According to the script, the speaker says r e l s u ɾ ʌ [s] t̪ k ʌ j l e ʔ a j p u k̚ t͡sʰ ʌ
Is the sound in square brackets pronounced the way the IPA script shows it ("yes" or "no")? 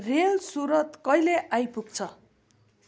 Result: no